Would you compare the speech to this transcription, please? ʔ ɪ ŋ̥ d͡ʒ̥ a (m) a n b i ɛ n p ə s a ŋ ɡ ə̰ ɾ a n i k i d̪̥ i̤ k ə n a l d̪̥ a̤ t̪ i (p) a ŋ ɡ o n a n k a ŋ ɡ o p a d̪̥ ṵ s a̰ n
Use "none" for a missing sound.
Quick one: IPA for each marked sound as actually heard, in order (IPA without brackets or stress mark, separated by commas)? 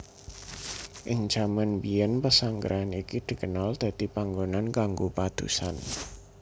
m, p